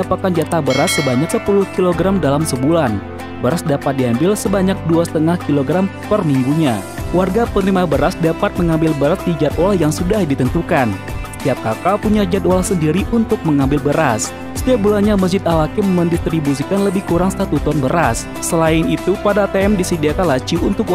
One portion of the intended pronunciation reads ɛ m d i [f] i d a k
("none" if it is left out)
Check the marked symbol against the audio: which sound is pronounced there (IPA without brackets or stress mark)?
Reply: s